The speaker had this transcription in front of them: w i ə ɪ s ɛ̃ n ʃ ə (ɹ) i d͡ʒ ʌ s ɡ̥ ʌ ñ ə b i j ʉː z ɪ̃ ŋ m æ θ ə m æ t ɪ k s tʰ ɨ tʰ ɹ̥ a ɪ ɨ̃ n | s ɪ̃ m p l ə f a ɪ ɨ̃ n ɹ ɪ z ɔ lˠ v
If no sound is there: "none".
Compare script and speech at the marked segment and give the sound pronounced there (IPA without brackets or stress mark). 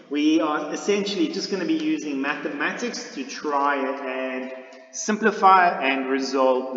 l